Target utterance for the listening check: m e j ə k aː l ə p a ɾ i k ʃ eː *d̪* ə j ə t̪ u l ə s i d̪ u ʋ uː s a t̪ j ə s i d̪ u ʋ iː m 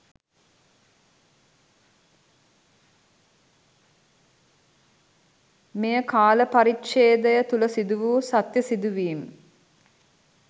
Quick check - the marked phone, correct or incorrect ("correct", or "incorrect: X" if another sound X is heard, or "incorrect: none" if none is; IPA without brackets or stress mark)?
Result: correct